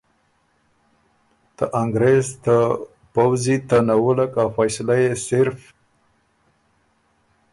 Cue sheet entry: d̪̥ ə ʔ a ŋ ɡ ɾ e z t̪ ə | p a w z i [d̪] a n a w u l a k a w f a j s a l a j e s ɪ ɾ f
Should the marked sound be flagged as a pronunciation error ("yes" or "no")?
yes